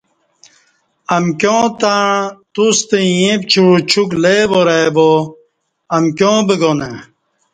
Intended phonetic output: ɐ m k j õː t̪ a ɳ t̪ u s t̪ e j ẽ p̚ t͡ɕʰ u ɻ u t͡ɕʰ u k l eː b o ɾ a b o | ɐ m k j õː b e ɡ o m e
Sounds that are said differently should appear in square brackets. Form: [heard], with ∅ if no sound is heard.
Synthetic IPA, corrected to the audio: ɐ m k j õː t̪ a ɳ t̪ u s t̪ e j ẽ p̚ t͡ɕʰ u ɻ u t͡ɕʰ u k l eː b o ɾ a b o | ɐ m k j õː b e ɡ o [n] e